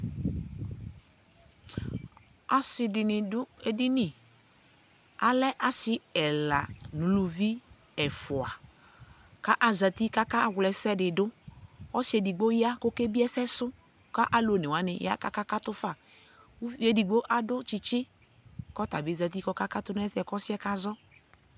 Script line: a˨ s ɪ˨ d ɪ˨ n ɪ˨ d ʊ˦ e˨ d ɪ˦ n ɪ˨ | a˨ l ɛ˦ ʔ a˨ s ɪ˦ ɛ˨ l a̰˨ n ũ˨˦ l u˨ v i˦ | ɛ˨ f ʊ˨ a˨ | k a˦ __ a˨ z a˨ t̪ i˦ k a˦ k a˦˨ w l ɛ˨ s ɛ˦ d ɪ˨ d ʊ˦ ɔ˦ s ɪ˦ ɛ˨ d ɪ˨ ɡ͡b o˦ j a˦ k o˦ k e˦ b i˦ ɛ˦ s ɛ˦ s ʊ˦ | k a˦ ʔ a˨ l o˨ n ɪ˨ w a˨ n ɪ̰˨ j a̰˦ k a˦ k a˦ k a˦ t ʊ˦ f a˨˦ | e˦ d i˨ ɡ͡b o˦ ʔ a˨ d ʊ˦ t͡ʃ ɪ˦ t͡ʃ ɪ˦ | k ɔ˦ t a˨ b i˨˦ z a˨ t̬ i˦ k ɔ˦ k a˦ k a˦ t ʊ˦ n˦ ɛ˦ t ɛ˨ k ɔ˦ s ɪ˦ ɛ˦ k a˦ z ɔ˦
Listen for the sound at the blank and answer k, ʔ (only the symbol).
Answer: ʔ